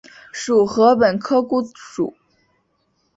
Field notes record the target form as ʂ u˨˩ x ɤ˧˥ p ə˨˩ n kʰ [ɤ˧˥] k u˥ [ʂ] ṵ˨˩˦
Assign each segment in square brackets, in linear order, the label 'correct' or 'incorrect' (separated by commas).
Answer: incorrect, correct